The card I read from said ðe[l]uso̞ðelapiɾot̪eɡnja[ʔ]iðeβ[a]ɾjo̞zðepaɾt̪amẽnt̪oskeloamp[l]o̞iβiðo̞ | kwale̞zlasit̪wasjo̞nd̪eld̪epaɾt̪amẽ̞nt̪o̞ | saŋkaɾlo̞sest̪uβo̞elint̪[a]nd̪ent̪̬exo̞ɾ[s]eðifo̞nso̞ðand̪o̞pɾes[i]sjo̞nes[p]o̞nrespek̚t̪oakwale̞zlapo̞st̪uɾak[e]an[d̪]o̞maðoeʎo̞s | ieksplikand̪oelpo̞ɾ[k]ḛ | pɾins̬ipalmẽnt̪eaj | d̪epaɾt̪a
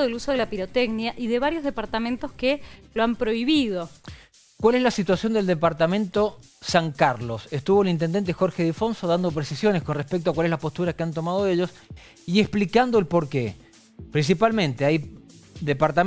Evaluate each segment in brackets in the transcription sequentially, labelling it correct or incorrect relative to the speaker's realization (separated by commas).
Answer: correct, correct, correct, incorrect, incorrect, incorrect, correct, incorrect, correct, incorrect, correct